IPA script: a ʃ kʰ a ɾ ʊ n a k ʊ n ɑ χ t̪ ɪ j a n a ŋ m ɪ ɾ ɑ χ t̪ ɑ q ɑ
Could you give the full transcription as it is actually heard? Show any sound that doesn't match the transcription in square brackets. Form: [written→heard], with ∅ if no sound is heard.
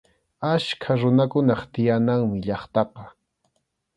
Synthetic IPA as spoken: a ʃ kʰ a ɾ ʊ n a k ʊ n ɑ χ t̪ ɪ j a n a ŋ m ɪ [ɾ→ʎ] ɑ χ t̪ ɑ q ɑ